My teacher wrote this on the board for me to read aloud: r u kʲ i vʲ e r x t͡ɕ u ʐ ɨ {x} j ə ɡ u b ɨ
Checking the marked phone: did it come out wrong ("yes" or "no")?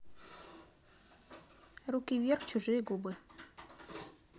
yes